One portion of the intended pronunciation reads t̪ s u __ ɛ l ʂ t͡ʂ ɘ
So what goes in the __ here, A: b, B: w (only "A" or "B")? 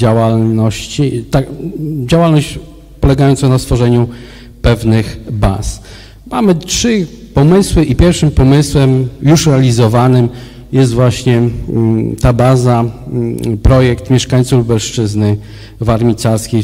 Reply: A